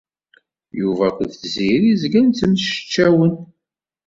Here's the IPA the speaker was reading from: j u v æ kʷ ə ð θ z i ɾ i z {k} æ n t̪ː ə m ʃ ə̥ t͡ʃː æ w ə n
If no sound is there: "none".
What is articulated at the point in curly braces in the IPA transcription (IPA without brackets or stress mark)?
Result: ɡ